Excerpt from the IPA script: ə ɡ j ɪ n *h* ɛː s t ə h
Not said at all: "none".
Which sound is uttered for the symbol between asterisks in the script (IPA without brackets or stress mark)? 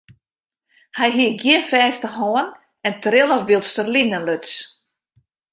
f